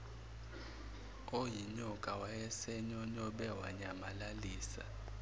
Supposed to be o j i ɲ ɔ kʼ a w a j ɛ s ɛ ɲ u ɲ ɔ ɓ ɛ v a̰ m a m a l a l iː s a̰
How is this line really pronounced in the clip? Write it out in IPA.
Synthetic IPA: o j i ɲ ɔ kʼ a w a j ɛ s ɛ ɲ ɔ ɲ ɔ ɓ ɛ w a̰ ɲ a m a l a l iː s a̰